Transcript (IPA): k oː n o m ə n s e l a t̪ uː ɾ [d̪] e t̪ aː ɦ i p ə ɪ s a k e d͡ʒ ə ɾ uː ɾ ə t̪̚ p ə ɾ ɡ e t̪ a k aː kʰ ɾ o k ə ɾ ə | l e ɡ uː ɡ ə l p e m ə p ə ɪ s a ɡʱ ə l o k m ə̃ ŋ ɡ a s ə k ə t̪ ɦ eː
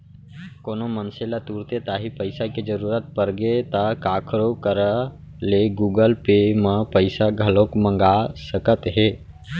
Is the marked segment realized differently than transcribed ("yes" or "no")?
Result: yes